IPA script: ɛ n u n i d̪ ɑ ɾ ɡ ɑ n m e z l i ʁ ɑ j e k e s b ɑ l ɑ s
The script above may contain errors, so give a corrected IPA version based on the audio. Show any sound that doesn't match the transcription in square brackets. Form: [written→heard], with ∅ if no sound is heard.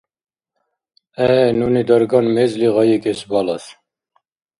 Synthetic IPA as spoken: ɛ n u n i d̪ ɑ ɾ ɡ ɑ n m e z l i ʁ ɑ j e k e s b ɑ l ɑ s